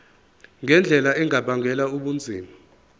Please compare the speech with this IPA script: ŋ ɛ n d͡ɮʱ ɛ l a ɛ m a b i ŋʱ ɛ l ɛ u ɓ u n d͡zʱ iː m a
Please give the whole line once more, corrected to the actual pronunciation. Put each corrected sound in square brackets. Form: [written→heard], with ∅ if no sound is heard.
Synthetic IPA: ŋ ɛ n d͡ɮʱ ɛ l a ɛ [m→ŋ] a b [i→a] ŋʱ ɛ l [ɛ→a] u ɓ u n d͡zʱ iː m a